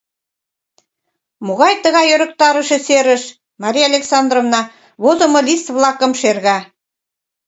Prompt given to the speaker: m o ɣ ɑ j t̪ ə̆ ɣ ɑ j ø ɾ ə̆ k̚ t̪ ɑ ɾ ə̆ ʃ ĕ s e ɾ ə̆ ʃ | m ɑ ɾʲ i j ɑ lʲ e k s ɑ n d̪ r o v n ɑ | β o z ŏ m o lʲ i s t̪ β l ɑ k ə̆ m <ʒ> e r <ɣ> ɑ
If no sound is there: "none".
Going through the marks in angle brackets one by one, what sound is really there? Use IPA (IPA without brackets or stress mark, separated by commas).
ʃ, ɣ